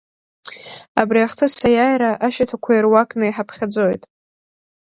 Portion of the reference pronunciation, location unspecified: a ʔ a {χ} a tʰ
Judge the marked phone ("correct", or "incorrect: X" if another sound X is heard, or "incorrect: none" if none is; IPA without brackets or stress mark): incorrect: ʃ